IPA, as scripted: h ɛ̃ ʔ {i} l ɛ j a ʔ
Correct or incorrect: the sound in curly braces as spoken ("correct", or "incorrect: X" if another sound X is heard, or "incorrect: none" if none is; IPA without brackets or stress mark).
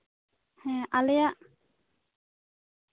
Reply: incorrect: a